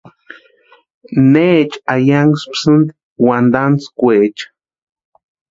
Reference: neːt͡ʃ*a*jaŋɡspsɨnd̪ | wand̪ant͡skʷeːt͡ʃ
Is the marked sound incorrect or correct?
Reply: correct